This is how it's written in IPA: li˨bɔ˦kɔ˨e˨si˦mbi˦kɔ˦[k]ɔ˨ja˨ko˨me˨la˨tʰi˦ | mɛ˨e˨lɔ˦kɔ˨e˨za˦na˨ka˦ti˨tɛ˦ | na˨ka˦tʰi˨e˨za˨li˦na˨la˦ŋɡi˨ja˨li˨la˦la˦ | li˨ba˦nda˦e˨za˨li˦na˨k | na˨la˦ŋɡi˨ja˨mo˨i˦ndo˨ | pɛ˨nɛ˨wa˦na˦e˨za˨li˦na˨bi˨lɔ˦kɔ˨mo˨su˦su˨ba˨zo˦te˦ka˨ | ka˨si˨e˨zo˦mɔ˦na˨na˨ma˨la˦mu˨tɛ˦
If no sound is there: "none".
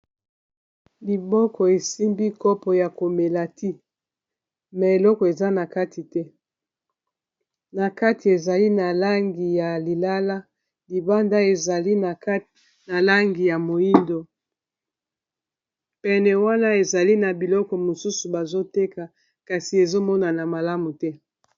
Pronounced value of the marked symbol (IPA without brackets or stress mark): p